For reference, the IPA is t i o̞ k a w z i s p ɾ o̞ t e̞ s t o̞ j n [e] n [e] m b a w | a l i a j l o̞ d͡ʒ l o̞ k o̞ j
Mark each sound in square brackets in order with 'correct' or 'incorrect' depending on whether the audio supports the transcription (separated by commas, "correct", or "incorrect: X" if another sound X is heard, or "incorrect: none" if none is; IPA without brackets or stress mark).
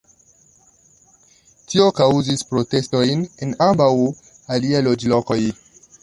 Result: correct, incorrect: a